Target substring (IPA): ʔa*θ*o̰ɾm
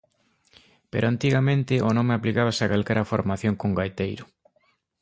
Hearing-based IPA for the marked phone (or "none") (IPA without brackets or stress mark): f